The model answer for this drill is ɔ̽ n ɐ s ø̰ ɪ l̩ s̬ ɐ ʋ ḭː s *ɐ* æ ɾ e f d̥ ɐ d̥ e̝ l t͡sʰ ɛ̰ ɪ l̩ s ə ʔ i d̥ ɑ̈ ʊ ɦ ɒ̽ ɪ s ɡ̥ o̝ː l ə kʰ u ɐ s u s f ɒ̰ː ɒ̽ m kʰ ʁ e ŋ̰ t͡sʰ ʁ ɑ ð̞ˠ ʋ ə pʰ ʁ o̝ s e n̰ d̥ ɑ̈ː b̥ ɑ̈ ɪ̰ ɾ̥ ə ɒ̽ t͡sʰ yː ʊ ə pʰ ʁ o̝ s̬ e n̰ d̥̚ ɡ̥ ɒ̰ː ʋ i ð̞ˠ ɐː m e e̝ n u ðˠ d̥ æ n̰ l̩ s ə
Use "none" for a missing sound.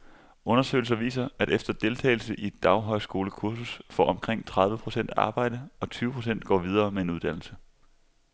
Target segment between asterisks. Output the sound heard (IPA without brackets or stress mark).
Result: ɐ